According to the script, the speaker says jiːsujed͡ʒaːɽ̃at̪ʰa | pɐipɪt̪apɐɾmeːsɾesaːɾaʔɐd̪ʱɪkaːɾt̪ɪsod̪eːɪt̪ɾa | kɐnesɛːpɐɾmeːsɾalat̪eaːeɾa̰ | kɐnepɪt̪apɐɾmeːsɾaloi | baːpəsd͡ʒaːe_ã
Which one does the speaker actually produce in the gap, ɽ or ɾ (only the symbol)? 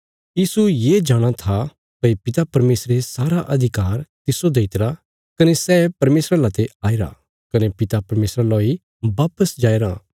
ɾ